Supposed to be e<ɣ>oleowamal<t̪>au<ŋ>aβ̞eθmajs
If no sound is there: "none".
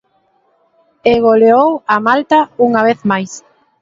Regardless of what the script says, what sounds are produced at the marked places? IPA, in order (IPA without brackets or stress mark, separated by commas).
ɣ, t̪, ŋ